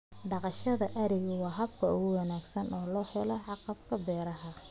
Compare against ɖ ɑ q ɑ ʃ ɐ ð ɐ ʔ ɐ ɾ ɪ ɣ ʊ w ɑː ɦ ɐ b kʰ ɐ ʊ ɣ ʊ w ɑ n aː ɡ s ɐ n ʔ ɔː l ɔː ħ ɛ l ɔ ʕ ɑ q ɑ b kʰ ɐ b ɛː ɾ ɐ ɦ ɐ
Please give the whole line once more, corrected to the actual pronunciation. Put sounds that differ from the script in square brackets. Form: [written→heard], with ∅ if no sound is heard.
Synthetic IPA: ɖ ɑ q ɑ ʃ ɐ ð ɐ ʔ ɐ ɾ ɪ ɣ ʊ w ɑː ɦ ɐ b kʰ ɐ ʊ ɣ ʊ w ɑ n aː ɡ s ɐ n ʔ ɔː l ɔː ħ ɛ l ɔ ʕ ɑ q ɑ b kʰ ɐ b ɛː ɾ ɐ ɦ ɐ